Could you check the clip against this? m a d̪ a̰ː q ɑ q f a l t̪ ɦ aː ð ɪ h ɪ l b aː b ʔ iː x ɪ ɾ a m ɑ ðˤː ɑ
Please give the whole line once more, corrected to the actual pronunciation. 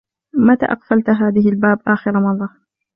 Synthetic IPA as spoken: m a t̪ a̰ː ʔ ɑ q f a l t̪ ɦ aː ð ɪ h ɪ l b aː b ʔ aː x ɪ ɾ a m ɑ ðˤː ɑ